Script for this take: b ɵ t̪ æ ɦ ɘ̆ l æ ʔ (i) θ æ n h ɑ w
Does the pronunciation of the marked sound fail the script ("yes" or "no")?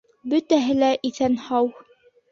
no